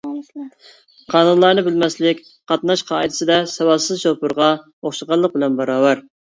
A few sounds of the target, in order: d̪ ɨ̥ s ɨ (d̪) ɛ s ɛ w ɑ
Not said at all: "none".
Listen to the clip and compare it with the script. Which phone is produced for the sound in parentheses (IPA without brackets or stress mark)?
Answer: d̪